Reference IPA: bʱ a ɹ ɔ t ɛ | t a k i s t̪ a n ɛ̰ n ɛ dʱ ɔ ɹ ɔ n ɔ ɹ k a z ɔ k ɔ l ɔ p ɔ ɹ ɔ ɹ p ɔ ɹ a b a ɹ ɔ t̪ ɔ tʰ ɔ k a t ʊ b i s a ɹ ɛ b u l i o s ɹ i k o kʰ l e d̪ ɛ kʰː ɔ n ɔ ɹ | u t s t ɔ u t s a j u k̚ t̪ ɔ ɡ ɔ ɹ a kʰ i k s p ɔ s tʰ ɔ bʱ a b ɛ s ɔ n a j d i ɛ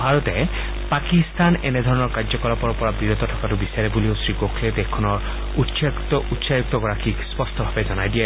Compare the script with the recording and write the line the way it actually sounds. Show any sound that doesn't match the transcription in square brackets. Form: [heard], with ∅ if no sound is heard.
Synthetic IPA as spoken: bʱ a ɹ ɔ t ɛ | [p] a k i s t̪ a n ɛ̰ n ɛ dʱ ɔ ɹ ɔ n ɔ ɹ k a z ɔ k ɔ l ɔ p ɔ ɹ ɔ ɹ p ɔ ɹ a b [i] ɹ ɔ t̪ ɔ tʰ ɔ k a t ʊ b i s a ɹ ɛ b u l i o s ɹ i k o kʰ l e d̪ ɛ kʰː ɔ n ɔ ɹ | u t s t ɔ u t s a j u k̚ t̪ ɔ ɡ ɔ ɹ a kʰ i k s p ɔ s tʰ ɔ bʱ a b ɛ [z] ɔ n a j d i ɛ